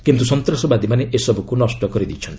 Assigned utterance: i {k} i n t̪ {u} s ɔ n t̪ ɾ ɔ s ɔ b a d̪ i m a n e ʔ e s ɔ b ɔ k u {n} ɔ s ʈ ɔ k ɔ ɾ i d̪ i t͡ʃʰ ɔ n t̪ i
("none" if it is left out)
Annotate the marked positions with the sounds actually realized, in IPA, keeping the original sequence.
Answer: k, u, n

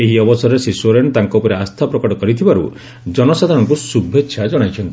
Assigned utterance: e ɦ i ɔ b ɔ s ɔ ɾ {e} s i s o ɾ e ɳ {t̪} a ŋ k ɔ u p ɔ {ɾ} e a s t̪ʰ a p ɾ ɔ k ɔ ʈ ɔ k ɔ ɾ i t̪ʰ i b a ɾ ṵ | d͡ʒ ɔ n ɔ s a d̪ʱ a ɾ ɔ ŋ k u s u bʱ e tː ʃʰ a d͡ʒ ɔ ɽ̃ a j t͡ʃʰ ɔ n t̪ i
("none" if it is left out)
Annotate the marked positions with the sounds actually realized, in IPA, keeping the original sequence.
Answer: e, t̪, ɾ

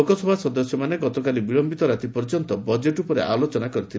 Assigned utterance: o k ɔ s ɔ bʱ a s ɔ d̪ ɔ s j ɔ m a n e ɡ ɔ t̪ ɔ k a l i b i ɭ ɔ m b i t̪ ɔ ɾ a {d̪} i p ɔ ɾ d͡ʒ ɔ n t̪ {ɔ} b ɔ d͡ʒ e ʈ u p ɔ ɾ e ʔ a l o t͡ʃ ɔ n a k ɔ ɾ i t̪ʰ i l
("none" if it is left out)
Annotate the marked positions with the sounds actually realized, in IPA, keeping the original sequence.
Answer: t̪, ɔ

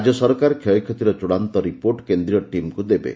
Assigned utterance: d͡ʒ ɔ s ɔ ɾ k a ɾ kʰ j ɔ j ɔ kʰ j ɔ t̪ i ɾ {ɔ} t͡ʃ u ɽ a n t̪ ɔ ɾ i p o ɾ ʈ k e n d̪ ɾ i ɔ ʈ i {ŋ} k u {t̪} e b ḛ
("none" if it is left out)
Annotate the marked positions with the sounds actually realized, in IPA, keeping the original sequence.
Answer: ɔ, m, d̪

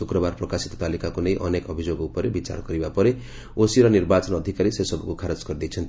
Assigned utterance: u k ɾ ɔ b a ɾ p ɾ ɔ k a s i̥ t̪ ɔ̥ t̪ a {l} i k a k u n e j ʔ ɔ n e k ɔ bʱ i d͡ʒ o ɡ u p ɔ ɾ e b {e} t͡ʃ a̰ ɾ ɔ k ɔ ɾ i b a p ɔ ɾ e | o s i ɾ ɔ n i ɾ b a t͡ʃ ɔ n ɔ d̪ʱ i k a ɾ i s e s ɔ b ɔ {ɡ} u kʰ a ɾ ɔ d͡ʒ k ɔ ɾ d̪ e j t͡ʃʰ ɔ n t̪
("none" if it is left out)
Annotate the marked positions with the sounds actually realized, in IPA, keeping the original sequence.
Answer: l, i, k

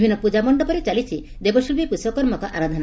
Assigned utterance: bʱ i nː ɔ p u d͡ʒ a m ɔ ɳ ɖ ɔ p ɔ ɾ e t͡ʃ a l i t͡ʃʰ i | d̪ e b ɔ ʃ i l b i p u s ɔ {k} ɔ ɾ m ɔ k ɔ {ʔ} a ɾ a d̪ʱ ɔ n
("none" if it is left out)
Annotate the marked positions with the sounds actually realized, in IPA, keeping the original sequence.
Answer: k, ʔ

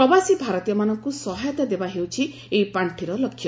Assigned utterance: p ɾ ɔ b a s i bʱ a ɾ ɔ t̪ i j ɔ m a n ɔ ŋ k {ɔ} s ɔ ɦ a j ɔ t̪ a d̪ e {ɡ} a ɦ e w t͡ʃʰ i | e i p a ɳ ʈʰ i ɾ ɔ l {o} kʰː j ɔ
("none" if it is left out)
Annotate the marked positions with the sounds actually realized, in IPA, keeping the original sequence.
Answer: u, b, ɔ

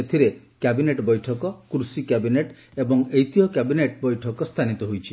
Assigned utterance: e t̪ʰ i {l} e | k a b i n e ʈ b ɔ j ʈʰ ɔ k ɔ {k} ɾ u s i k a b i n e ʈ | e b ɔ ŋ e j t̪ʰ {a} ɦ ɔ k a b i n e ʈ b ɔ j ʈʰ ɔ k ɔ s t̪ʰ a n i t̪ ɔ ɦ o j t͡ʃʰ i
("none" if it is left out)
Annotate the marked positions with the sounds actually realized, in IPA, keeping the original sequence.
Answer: ɾ, k, i

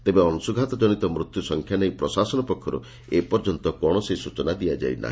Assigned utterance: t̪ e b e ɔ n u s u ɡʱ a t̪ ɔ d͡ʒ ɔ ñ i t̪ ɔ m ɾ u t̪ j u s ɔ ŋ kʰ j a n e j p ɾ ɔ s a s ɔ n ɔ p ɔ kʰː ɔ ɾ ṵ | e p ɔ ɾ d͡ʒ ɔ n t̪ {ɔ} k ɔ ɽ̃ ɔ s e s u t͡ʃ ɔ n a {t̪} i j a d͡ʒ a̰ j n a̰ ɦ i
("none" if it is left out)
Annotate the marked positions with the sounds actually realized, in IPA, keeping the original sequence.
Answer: ɔ, d̪

